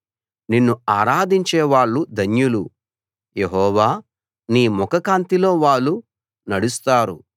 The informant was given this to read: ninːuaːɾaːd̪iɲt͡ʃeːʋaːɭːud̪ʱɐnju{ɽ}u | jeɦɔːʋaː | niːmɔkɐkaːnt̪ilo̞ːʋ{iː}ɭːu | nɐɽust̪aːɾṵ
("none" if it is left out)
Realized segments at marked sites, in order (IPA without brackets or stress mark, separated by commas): l, aː